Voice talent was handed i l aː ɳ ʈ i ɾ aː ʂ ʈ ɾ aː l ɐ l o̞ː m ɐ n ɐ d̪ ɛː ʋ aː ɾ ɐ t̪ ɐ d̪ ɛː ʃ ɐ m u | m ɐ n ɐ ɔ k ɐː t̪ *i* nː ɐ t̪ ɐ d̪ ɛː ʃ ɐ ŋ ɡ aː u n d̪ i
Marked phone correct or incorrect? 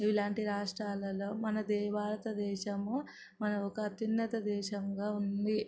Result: correct